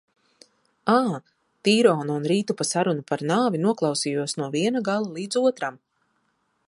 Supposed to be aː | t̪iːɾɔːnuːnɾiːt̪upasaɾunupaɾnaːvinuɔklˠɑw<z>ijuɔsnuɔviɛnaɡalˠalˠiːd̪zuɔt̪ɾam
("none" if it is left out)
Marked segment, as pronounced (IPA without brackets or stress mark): s